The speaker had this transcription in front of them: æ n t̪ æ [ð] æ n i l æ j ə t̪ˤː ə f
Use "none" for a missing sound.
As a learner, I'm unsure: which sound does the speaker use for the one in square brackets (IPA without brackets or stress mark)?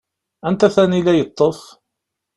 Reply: θ